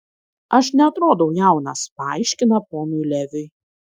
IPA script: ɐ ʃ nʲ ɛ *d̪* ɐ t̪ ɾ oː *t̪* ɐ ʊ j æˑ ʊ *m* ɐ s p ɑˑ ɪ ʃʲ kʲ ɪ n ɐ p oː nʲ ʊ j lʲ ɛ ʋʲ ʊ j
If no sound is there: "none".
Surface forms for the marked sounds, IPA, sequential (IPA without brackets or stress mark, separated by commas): none, d̪, n